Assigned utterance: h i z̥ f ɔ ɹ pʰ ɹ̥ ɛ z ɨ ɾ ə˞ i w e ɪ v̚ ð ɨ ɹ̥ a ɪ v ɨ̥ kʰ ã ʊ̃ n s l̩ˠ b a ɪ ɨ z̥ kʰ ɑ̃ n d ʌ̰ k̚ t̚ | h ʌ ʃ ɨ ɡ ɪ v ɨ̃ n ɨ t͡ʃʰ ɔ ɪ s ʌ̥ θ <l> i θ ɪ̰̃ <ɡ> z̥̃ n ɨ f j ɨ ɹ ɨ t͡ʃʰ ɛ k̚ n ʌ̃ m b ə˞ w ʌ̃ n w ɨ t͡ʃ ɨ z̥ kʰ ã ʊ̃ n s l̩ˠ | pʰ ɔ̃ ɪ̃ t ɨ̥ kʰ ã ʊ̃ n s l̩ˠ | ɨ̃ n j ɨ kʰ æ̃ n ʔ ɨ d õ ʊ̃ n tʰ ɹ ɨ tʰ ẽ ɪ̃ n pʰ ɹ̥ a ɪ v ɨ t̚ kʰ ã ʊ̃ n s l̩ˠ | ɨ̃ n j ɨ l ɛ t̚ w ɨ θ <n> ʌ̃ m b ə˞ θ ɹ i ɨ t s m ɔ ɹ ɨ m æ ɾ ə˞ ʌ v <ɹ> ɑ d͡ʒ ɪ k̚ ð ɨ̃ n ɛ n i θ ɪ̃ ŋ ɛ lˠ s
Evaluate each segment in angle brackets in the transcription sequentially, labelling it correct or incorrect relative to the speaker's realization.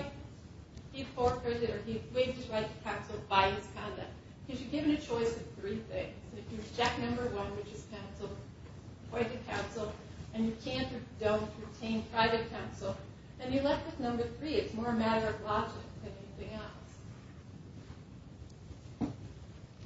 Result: incorrect: ɹ, incorrect: ŋ, correct, incorrect: l

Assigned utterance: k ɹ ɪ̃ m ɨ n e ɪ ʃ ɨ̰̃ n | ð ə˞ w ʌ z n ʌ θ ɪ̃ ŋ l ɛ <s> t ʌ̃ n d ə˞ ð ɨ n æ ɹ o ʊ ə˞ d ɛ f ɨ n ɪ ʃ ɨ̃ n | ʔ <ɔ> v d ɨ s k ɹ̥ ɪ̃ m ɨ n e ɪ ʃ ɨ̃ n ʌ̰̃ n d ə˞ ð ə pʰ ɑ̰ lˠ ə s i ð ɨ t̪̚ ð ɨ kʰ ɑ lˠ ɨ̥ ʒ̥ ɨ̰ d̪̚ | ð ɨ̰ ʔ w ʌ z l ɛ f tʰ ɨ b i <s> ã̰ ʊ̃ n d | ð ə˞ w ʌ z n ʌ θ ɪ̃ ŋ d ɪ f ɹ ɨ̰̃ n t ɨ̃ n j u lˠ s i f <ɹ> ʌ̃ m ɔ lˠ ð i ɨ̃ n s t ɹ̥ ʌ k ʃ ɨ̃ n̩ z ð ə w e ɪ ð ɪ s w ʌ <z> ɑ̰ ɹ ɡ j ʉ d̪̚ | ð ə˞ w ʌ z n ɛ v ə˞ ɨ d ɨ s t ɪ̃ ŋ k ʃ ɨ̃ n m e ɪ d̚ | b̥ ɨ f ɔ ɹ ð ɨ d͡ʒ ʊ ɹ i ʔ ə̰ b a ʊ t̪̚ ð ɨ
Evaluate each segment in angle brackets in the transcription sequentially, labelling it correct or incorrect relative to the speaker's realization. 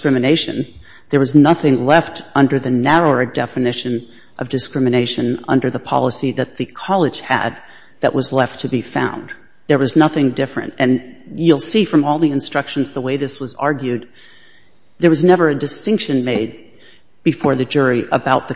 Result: incorrect: f, incorrect: ʌ, incorrect: f, correct, correct

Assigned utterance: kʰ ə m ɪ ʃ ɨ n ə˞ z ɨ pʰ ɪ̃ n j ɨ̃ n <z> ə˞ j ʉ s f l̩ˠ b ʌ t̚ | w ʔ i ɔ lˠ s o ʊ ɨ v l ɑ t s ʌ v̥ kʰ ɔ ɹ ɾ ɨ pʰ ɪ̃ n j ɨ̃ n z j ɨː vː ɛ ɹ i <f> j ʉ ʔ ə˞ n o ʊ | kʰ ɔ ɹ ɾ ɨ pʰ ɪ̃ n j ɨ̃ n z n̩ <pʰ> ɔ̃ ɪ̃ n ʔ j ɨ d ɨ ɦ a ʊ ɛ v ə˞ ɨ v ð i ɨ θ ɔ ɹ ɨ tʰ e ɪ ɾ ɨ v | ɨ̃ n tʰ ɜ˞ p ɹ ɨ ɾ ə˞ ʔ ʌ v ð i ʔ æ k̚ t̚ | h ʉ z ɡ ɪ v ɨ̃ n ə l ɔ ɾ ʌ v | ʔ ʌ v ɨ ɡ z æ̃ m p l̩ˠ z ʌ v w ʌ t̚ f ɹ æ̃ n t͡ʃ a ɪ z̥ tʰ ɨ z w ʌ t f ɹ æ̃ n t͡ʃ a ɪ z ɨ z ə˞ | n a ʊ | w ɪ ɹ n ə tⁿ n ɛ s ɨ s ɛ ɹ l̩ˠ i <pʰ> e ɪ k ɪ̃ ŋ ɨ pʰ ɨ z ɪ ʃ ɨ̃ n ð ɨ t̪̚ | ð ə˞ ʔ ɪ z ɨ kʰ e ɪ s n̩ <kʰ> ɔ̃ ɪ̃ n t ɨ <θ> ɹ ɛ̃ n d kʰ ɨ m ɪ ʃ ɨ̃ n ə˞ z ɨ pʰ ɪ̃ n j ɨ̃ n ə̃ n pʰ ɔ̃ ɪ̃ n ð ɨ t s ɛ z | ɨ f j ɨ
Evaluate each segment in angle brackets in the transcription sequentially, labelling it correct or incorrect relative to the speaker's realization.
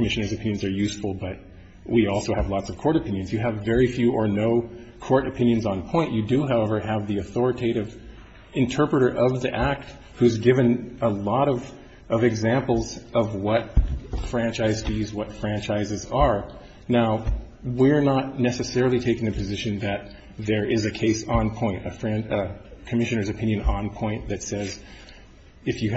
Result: correct, correct, correct, incorrect: tʰ, incorrect: pʰ, incorrect: f

